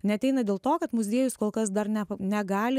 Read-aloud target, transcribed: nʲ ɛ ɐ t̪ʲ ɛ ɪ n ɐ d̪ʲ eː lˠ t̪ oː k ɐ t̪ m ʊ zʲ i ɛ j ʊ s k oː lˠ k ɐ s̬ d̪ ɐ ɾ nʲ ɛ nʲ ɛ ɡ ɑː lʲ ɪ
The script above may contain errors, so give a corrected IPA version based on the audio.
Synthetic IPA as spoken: nʲ ɛ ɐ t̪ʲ ɛ ɪ n ɐ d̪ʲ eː lˠ t̪ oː k ɐ t̪ m ʊ zʲ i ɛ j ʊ s k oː lˠ k ɐ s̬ d̪ ɐ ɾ nʲ ɛ nʲ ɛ ɡ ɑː lʲ ɪ